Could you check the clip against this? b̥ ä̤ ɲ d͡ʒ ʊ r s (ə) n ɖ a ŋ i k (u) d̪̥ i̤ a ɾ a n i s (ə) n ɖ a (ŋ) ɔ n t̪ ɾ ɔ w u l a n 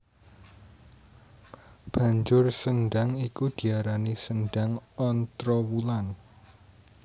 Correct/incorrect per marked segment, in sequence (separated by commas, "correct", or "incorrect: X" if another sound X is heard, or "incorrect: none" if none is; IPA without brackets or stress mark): correct, correct, correct, correct